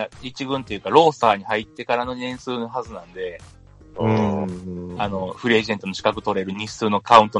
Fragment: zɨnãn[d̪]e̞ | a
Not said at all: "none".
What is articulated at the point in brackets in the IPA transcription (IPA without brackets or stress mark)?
d̪